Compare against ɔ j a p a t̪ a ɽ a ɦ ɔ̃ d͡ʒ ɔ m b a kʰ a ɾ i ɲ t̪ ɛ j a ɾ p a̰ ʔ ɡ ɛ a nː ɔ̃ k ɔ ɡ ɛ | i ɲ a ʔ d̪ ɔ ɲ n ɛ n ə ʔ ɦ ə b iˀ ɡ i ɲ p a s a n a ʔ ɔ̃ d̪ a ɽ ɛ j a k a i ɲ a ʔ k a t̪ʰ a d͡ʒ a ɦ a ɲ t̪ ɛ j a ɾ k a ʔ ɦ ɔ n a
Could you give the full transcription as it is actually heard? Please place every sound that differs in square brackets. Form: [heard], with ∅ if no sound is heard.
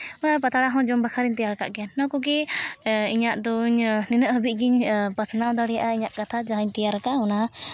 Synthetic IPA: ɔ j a p a t̪ a ɽ a ɦ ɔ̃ d͡ʒ ɔ m b a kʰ a ɾ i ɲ t̪ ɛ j a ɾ [k] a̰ ʔ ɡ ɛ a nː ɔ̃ k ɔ ɡ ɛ | i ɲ a ʔ d̪ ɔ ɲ n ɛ n ə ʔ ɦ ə b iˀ ɡ i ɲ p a s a n a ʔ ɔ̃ d̪ a ɽ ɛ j a [ʔ] a i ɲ a ʔ k a t̪ʰ a d͡ʒ a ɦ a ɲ t̪ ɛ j a ɾ k a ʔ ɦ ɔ n a